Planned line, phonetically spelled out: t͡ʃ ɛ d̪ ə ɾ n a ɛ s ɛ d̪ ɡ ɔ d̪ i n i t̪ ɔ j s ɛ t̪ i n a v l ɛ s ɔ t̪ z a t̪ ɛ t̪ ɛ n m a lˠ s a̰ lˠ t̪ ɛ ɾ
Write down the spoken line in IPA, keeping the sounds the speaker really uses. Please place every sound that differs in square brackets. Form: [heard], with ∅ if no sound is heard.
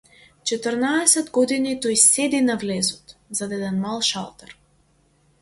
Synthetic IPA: t͡ʃ ɛ [t̪] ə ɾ n a ɛ s ɛ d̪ ɡ ɔ d̪ i n i t̪ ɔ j s ɛ [d̪] i n a v l ɛ [z] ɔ t̪ z a [d̪] ɛ [d̪] ɛ n m a lˠ [ʃ] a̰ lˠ t̪ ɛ ɾ